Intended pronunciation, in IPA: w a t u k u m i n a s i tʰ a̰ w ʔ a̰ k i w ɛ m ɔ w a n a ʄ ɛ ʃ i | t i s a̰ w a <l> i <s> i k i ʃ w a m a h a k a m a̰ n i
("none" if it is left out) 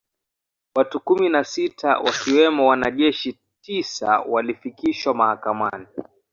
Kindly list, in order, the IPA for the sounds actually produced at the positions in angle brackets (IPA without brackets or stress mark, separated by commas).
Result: l, f